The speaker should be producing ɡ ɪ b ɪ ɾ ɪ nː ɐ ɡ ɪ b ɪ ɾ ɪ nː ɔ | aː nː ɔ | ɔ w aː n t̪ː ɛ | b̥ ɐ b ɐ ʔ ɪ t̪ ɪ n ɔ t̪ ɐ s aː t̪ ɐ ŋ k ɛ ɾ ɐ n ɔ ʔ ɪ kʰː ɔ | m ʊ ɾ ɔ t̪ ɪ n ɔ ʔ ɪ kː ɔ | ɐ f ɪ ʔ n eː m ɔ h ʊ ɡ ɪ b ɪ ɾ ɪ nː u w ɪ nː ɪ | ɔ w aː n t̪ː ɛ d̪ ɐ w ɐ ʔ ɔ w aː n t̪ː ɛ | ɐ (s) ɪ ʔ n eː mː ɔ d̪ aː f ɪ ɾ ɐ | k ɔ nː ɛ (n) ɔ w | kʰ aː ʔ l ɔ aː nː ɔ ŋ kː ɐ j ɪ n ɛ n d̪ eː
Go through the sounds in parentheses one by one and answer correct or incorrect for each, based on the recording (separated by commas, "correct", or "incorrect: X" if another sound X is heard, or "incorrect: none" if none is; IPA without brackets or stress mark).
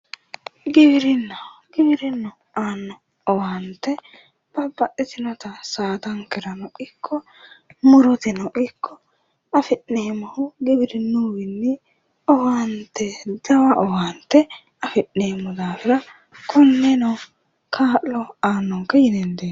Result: incorrect: f, correct